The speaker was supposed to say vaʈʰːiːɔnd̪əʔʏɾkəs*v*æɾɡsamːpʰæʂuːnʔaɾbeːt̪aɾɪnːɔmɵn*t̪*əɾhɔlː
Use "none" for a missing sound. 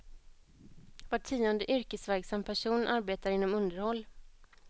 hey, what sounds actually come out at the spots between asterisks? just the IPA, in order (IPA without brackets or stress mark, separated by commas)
v, d̪